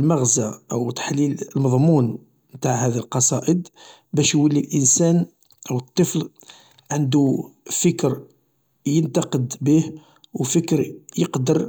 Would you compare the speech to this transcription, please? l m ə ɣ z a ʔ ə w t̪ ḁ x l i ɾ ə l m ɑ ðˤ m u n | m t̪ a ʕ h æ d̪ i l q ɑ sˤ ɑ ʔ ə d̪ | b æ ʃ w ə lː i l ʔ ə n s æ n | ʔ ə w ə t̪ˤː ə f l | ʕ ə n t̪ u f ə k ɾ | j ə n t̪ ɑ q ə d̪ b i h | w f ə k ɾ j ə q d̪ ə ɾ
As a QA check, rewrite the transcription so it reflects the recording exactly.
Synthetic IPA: l m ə ɣ z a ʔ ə w t̪ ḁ ħ l i l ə l m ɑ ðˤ m u n | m t̪ a ʕ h æ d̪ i l q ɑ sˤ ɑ ʔ ə d̪ | b æ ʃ w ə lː i l ʔ ə n s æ n | ʔ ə w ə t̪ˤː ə f l | ʕ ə n d̪ u f ə k ɾ | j ə n t̪ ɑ q ə d̪ b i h | w f ə k ɾ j ə q d̪ ə ɾ